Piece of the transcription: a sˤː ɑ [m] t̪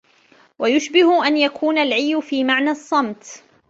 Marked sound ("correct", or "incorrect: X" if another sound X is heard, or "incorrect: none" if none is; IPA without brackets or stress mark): correct